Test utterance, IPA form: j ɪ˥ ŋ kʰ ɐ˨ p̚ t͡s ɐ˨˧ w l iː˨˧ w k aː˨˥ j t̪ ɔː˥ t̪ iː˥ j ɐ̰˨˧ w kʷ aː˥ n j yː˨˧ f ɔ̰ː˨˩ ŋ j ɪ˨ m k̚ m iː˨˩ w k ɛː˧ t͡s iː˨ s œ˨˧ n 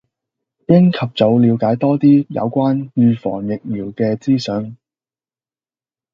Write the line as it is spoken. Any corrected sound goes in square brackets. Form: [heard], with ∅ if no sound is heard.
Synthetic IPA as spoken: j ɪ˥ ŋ kʰ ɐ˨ p̚ t͡s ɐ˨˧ w l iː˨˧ w k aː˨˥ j t̪ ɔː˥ t̪ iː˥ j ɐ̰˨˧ w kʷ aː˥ n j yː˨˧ f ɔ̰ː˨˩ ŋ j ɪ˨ [∅] k̚ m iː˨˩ w k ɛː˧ t͡s [iː˥] s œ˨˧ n